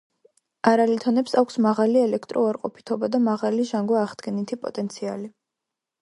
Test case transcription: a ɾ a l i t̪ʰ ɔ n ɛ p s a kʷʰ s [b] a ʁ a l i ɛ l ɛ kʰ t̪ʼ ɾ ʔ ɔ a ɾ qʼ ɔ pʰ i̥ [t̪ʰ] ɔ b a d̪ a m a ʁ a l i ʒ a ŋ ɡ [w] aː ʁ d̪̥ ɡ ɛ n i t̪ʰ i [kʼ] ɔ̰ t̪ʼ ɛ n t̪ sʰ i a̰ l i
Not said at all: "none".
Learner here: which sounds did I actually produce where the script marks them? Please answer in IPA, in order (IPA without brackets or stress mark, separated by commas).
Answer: m, t̪ʰ, w, pʼ